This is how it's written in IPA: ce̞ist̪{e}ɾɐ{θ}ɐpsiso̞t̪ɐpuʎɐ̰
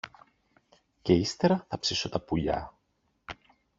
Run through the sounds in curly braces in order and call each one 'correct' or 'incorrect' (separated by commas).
correct, correct